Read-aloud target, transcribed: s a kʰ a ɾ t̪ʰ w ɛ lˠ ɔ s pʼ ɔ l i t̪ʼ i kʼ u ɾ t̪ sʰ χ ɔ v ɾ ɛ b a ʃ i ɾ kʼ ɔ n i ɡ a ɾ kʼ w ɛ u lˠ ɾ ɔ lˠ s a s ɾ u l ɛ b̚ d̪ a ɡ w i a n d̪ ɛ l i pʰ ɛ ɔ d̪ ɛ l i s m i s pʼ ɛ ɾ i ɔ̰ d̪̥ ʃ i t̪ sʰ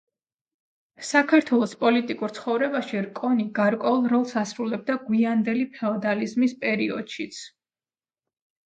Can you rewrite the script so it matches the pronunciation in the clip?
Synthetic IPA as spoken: s a kʰ a ɾ t̪ʰ w ɛ lˠ ɔ s pʼ ɔ l i t̪ʼ i kʼ u ɾ t̪ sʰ χ ɔ v ɾ ɛ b a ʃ i ɾ kʼ ɔ n i ɡ a ɾ kʼ w ɛ u lˠ ɾ ɔ lˠ s a s ɾ u l ɛ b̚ d̪ a ɡ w i a n d̪ ɛ l i pʰ ɛ ɔ d̪ a l i z m i s pʼ ɛ ɾ i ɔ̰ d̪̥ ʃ i t̪ sʰ

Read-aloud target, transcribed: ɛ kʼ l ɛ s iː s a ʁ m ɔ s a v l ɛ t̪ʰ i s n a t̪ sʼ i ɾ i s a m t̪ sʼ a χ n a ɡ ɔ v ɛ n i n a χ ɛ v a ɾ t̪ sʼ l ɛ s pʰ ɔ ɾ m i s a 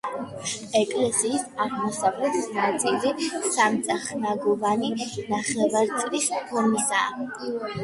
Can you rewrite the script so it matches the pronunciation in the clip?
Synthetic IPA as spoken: ɛ kʼ l ɛ s iː s a ʁ m ɔ s a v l ɛ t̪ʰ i s n a t̪ sʼ i l i s a m t̪ sʼ a χ n a ɡ ɔ v a n i n a χ ɛ v a ɾ t̪ sʼ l i s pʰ ɔ ɾ m i s a

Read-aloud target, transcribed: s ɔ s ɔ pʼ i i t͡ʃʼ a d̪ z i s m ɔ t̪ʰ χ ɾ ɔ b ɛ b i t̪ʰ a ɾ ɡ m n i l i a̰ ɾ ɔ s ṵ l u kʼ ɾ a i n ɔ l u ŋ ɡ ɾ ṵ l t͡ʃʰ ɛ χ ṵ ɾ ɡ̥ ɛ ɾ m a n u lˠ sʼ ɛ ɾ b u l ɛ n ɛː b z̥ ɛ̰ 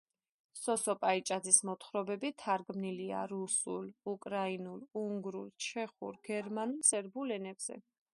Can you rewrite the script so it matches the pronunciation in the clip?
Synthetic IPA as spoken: s ɔ s ɔ pʼ a i t͡ʃʼ a d̪ z i s m ɔ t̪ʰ χ ɾ ɔ b ɛ b i t̪ʰ a ɾ ɡ m n i l i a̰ ɾ u s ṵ l u kʼ ɾ a i n u l u ŋ ɡ ɾ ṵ l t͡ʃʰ ɛ χ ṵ ɾ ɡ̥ ɛ ɾ m a n u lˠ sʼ ɛ ɾ b u l ɛ n ɛ b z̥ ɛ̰

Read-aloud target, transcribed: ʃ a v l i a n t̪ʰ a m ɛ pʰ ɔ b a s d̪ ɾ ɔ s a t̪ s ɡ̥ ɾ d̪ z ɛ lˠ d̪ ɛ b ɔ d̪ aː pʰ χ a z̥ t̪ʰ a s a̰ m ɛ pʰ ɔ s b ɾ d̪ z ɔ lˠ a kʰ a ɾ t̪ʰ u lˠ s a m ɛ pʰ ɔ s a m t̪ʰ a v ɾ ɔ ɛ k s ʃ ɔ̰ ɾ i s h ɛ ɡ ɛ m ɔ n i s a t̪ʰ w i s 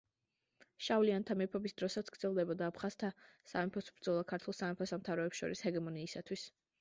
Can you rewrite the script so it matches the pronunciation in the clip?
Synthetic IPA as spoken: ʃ a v l i a n t̪ʰ a m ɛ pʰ ɔ b i s d̪ ɾ ɔ s a t̪ s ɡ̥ ɾ d̪ z ɛ lˠ d̪ ɛ b ɔ d̪ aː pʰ χ a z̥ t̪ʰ a s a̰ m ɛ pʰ ɔ s b ɾ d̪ z ɔ lˠ a kʰ a ɾ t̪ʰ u lˠ s a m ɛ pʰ ɔ s a m t̪ʰ a v ɾ ɔ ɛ p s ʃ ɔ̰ ɾ i s h ɛ ɡ ɛ m ɔ n iː s a t̪ʰ w i s

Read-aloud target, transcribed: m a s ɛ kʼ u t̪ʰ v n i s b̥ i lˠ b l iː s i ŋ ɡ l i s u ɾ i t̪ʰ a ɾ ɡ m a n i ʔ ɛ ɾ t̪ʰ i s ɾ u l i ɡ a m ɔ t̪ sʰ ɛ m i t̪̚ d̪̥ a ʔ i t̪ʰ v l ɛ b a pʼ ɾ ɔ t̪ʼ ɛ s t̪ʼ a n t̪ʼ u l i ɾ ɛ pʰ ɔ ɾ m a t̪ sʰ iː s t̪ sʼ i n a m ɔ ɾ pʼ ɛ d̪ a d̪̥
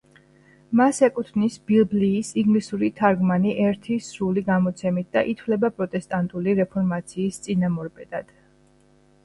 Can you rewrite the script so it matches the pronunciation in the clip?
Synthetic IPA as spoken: m a s ɛ kʼ u t̪ʰ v n i s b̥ i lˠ b l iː s i ŋ ɡ l i s u ɾ i t̪ʰ a ɾ ɡ m a n i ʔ ɛ ɾ t̪ʰ i s ɾ u l i ɡ a m ɔ t̪ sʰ ɛ m i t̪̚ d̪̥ a ʔ i t̪ʰ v l ɛ b a pʼ ɾ ɔ t̪ʼ ɛ s t̪ʼ a n t̪ʼ u l i ɾ ɛ pʰ ɔ ɾ m a t̪ sʰ iː s t̪ sʼ i n a m ɔ ɾ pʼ ɛ d̪ a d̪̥

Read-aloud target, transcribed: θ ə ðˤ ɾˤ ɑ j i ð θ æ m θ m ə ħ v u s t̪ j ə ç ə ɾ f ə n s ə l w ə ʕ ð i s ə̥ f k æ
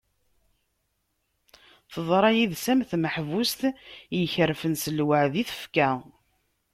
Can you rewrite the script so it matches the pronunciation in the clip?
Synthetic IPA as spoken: θ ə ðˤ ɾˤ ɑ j i ð s æ m θ m ə ħ v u s t̪ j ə ç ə ɾ f ə n s ə l w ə ʕ ð i θ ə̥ f k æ

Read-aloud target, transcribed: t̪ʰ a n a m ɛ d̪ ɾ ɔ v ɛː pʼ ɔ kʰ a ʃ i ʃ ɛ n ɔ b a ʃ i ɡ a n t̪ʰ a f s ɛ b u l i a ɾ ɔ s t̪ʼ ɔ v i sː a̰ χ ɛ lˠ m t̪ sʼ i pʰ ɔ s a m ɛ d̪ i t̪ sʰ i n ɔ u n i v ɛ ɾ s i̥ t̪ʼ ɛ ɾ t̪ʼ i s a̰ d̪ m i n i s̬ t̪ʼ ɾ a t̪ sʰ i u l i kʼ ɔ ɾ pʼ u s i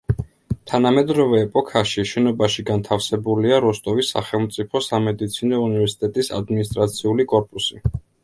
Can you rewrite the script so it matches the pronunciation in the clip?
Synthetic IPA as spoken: t̪ʰ a n a m ɛ d̪ ɾ ɔ v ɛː pʼ ɔ kʰ a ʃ i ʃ ɛ n ɔ b a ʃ i ɡ a n t̪ʰ a f s ɛ b u l i a ɾ ɔ s t̪ʼ ɔ v i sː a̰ χ ɛ lˠ m t̪ sʼ i pʰ ɔ s a m ɛ d̪ i t̪ sʰ i n ɔ u n i v ɛ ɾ s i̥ t̪ʼ ɛ t̪ʼ i s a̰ d̪ m i n i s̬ t̪ʼ ɾ a t̪ sʰ i u l i kʼ ɔ ɾ pʼ u s i

